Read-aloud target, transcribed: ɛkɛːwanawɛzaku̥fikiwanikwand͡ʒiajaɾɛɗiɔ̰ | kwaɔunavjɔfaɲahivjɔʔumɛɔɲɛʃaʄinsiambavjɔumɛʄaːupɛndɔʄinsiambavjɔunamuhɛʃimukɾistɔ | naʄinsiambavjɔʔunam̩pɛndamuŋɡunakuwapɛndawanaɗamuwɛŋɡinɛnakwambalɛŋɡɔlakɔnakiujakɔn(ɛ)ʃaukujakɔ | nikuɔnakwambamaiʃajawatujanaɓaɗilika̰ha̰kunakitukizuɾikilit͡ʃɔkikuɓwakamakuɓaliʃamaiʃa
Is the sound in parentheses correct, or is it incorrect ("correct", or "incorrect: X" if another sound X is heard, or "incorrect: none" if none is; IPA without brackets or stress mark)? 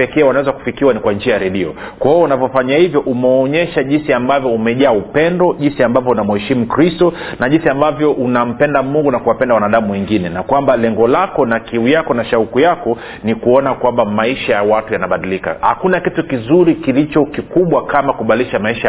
incorrect: a